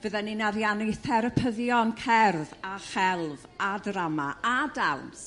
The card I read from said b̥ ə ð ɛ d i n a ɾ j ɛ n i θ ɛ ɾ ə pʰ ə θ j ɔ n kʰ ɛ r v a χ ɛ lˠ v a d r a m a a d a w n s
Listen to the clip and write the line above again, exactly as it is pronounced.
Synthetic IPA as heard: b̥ ə ð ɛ n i n a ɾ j a n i θ ɛ ɾ ə pʰ ə ð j ɔ n kʰ ɛ r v a χ ɛ lˠ v a d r a m a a d a w n s